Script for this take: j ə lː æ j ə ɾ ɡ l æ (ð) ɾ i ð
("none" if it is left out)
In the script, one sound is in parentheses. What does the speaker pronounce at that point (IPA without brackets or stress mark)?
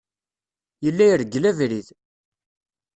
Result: v